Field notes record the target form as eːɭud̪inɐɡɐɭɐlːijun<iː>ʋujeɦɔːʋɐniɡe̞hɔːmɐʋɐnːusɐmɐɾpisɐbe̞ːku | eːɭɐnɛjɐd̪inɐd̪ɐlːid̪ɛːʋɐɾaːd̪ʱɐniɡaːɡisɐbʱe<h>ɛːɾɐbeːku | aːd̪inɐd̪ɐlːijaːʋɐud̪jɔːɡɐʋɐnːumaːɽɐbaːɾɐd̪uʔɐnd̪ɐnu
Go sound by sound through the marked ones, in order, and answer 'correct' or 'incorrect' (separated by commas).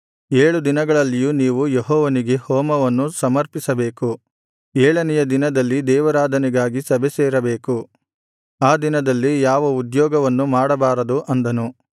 correct, incorrect